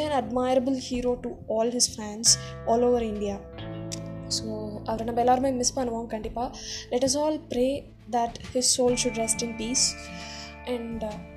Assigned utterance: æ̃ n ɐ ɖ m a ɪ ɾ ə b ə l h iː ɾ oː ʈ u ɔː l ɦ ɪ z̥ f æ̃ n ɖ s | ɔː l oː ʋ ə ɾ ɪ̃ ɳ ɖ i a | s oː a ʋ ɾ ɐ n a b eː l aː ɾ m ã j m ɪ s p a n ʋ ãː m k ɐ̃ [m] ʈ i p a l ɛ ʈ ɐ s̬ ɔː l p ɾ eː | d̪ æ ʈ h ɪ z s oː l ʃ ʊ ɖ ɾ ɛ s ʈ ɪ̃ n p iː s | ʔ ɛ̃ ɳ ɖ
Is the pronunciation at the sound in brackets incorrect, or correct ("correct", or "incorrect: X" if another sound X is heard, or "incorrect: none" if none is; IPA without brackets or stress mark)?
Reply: incorrect: ɳ